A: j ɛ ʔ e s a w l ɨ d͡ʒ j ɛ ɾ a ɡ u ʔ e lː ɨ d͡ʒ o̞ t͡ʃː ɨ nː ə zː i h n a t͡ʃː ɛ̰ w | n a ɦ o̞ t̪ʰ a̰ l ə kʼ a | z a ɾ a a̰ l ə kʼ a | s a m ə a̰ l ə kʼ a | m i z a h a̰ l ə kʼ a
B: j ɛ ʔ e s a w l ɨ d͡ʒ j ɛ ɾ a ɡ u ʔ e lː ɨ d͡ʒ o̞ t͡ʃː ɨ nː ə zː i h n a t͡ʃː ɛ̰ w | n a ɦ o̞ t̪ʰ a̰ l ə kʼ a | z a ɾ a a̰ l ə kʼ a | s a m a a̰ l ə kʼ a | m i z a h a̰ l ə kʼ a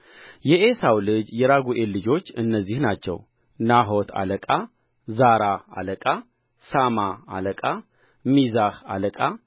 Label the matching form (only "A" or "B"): B